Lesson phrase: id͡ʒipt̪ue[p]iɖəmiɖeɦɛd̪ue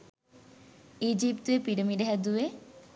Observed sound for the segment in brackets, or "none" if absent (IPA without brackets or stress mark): p